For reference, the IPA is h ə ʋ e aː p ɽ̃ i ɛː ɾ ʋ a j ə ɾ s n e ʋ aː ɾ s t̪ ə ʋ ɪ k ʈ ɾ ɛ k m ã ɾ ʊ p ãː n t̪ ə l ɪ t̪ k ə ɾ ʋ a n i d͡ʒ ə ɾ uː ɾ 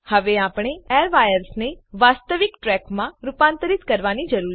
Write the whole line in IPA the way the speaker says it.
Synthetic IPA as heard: h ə ʋ e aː p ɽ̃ e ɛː ɾ ʋ a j ə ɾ s n e ʋ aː s t̪ ə ʋ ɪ k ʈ ɾ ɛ k m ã ɾ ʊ p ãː n t̪ ə ɾ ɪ t̪ k ə ɾ ʋ a n i d͡ʒ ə ɾ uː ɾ